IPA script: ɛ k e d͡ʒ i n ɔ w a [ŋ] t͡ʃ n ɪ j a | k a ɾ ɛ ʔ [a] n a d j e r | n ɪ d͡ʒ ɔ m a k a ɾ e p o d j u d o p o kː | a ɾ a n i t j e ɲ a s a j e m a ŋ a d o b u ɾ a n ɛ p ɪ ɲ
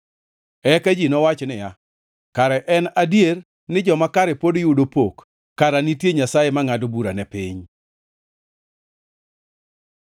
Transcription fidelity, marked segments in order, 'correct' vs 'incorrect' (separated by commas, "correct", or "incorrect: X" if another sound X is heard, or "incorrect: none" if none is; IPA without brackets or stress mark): incorrect: none, incorrect: ɛ